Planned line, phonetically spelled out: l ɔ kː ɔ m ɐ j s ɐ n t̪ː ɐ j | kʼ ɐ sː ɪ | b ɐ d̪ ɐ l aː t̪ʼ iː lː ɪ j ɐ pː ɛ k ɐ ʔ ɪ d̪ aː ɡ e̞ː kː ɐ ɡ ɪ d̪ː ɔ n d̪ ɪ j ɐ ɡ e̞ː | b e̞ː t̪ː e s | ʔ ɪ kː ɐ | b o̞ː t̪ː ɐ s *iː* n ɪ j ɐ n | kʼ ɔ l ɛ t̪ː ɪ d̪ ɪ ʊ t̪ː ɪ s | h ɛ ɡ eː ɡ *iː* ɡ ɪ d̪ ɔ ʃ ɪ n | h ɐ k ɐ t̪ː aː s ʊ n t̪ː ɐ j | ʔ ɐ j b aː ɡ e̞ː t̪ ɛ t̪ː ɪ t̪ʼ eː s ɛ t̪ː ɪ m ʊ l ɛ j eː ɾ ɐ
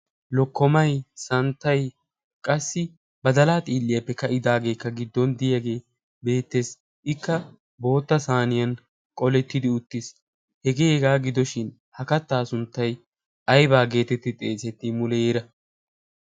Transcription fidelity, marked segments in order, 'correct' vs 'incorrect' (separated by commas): incorrect, incorrect